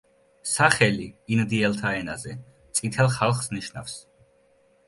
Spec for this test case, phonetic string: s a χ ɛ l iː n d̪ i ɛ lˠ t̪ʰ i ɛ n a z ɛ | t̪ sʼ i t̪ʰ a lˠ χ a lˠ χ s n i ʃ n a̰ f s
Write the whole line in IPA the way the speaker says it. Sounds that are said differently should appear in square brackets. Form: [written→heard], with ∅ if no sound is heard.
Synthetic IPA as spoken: s a χ ɛ l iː n d̪ i ɛ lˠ t̪ʰ [i→a] ɛ n a z ɛ | t̪ sʼ i t̪ʰ [a→ɛ] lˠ χ a lˠ χ s n i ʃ n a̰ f s

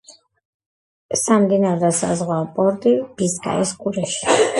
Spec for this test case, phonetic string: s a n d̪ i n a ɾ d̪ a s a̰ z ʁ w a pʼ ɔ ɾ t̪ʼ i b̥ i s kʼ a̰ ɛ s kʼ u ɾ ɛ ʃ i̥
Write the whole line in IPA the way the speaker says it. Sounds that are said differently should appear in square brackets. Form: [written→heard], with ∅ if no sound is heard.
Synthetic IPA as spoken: s a [n→m] d̪ i n a ɾ d̪ a s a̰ z ʁ w a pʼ ɔ ɾ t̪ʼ i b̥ i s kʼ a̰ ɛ s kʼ u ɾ ɛ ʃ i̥

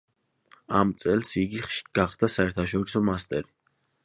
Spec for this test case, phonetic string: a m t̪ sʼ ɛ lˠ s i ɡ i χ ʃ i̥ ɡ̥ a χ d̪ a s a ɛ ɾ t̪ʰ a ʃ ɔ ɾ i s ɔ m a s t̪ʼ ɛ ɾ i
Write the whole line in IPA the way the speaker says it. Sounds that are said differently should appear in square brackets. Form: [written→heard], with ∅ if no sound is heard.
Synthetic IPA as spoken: a m t̪ sʼ ɛ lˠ s i ɡ i χ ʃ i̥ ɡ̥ a χ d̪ a s a ɛ ɾ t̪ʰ a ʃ ɔ ɾ i s ɔ m a s t̪ʼ ɛ ɾ i

